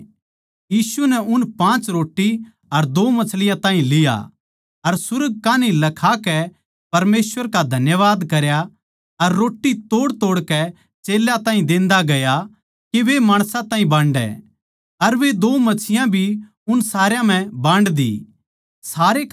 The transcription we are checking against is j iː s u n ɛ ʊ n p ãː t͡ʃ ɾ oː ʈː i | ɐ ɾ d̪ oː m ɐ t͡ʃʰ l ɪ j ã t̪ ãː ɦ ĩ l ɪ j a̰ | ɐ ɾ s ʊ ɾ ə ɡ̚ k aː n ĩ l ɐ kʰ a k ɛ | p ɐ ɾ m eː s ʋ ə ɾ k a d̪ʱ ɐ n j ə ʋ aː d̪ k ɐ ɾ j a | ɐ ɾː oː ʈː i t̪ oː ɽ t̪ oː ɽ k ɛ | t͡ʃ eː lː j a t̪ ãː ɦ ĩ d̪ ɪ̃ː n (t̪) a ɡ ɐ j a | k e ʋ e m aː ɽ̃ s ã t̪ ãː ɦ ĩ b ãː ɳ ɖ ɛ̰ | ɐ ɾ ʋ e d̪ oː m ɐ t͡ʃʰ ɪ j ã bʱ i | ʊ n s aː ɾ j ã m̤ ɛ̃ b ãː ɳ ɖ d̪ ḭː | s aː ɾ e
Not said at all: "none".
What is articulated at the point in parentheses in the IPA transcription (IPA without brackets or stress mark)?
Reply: d̪